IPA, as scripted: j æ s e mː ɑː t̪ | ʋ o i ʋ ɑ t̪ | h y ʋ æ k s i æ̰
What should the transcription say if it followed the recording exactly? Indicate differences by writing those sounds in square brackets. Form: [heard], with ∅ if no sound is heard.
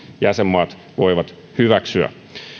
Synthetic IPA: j æ s e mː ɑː t̪ | ʋ o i ʋ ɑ t̪ | h y ʋ æ k s [y] æ̰